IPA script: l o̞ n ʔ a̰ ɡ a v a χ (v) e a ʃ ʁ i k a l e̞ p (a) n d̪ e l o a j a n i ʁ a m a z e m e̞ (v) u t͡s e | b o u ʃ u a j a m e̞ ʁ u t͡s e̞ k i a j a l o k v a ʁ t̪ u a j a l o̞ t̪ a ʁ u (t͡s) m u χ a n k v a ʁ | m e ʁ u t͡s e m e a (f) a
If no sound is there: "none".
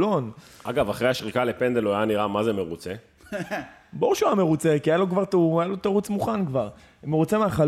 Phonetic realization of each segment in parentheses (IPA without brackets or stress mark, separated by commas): ʁ, e, ʁ, t͡s, χ